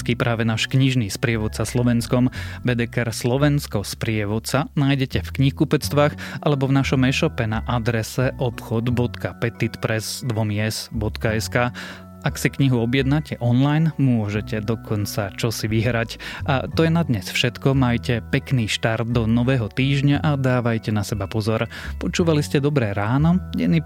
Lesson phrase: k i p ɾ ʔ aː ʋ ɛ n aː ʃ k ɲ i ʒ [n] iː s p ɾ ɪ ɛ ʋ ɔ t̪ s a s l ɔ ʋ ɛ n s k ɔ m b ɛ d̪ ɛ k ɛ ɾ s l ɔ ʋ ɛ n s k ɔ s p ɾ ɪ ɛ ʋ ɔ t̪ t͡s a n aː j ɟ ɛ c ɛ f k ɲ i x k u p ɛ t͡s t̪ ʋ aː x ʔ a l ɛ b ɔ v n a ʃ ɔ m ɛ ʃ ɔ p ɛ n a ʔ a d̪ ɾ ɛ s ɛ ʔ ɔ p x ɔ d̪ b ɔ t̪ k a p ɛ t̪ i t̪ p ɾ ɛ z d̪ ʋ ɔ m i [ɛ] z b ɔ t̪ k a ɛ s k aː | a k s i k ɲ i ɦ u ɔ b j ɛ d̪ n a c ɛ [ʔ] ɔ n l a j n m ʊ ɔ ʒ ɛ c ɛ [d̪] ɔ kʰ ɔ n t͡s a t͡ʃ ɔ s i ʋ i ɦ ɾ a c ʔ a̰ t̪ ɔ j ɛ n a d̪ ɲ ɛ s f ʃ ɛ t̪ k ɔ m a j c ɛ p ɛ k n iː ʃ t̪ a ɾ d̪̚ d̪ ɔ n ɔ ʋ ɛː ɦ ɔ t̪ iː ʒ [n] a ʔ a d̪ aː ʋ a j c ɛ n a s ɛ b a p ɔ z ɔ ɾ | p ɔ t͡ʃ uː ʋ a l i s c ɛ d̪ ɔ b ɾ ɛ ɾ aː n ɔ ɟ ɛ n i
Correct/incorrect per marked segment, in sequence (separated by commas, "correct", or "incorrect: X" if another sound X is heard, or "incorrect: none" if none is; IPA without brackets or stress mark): correct, correct, correct, correct, incorrect: ɲ